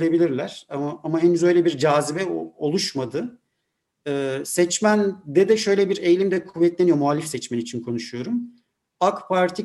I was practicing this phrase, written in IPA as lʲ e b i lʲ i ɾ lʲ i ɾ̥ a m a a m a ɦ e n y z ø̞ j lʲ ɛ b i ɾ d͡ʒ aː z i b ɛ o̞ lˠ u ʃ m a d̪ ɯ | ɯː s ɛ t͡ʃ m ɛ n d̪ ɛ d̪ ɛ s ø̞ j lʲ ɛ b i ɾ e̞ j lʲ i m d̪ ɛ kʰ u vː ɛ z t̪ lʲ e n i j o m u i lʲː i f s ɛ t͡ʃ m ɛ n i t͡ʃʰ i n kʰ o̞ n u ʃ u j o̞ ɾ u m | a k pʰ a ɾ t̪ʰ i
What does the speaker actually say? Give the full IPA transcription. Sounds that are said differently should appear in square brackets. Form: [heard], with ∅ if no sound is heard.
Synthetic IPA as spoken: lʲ e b i lʲ i ɾ lʲ [æ] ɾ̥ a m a a m a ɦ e n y z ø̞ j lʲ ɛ b i ɾ d͡ʒ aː z i b ɛ o̞ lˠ u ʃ m a d̪ ɯ | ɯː s ɛ t͡ʃ m [æ] n d̪ ɛ d̪ ɛ [ʃ] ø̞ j lʲ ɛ b i ɾ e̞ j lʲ i m d̪ ɛ kʰ u vː ɛ [∅] t̪ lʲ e n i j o m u [a] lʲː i f s ɛ t͡ʃ m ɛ n i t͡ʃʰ i n kʰ o̞ n u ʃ u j o̞ ɾ u m | a k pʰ a ɾ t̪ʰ i